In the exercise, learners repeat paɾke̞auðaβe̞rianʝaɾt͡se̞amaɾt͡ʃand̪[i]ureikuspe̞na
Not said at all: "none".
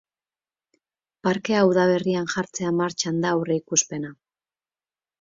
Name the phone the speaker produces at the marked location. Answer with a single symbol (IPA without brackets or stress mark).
a